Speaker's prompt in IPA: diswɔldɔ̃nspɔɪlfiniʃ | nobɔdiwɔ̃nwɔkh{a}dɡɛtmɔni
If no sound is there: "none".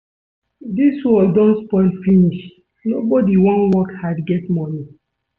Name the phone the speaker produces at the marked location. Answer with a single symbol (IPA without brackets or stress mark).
a